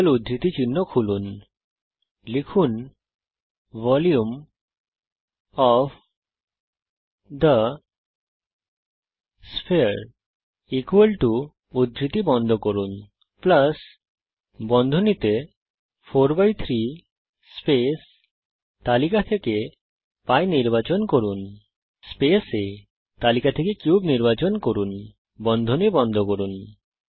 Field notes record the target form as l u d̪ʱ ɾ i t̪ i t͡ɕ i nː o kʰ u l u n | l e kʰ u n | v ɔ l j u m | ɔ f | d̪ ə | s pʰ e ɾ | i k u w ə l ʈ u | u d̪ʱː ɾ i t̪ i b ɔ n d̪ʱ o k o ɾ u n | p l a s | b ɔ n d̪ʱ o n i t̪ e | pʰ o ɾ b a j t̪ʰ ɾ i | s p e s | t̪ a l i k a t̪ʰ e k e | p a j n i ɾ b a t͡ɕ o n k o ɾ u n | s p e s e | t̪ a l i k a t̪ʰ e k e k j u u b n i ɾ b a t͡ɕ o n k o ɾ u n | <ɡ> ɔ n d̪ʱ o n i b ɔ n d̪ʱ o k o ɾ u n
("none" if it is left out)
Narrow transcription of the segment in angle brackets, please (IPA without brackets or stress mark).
b